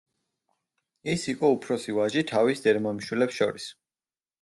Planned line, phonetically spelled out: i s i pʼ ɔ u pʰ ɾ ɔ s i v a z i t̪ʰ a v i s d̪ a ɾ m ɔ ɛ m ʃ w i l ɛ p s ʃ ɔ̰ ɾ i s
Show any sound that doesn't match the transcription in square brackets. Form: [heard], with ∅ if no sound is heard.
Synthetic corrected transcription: i s i [qʼ] ɔ u pʰ ɾ ɔ s i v a [ʒ] i t̪ʰ a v i s d̪ [ɛ] ɾ m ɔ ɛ m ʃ w i l ɛ p s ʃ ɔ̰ ɾ i s

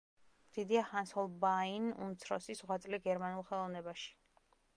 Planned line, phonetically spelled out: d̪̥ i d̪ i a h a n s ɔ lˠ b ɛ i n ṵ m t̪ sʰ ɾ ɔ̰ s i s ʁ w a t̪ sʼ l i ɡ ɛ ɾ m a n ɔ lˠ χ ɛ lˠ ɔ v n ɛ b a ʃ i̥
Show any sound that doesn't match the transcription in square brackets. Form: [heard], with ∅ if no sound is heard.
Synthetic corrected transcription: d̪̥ i d̪ i a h a n s ɔ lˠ b [a] i n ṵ m t̪ sʰ ɾ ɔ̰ s i s ʁ w a t̪ sʼ l i ɡ ɛ ɾ m a n [u] lˠ χ ɛ lˠ ɔ v n ɛ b a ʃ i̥

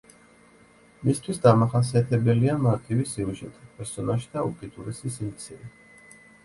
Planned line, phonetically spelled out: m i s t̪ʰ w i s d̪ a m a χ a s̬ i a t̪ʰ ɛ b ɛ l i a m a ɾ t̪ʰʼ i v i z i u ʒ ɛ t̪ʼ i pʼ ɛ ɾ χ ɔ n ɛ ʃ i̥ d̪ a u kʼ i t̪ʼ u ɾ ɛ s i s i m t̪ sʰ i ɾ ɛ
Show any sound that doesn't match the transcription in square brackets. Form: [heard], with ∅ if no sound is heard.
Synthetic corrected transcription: m i s t̪ʰ w i s d̪ a m a χ a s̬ i a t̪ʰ ɛ b ɛ l i a m a ɾ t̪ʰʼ i v i [s] i u ʒ ɛ t̪ʼ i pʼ ɛ ɾ [s] ɔ n [a] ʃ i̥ d̪ a u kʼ i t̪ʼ u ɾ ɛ s i s i m t̪ sʰ i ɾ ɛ

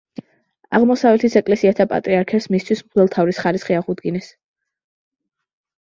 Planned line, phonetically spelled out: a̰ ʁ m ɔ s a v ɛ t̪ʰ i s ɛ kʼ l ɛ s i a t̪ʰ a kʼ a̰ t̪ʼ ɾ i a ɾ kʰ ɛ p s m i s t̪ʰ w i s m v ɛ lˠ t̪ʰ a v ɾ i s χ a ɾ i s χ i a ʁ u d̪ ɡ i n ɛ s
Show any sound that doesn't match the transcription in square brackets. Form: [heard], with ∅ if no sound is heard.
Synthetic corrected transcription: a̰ ʁ m ɔ s a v ɛ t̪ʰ i s ɛ kʼ l ɛ s i a t̪ʰ a [pʼ] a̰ t̪ʼ ɾ i a ɾ kʰ ɛ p s m i s t̪ʰ w i s m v ɛ lˠ t̪ʰ a v ɾ i s χ a ɾ i s χ i a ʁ u d̪ ɡ i n ɛ s

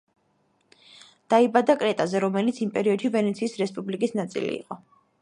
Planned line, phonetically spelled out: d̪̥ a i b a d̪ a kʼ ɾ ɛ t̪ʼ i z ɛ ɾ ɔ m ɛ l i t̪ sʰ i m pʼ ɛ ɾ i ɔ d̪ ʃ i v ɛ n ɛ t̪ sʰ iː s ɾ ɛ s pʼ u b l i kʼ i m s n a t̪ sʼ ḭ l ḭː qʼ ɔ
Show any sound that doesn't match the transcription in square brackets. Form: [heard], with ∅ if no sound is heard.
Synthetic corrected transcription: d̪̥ a i b a d̪ a kʼ ɾ ɛ t̪ʼ [a] z ɛ ɾ ɔ m ɛ l i t̪ sʰ i m pʼ ɛ ɾ i ɔ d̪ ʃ i v ɛ n ɛ t̪ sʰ iː s ɾ ɛ s pʼ u b l i kʼ i [∅] s n a t̪ sʼ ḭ l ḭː qʼ ɔ

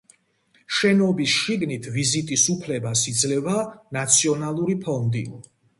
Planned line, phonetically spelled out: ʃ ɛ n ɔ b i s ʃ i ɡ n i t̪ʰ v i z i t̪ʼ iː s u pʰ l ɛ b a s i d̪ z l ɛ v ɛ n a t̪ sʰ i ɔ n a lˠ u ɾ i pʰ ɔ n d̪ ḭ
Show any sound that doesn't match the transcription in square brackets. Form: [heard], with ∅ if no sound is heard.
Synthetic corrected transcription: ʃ ɛ n ɔ b i s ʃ i ɡ n i t̪ʰ v i z i t̪ʼ [i] s u pʰ l ɛ b a s i d̪ z l ɛ v [a] n a t̪ sʰ i ɔ n a lˠ u ɾ i pʰ ɔ n d̪ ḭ

